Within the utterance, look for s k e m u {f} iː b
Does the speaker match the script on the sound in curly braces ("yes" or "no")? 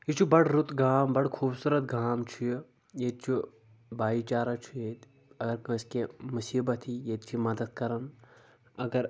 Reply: no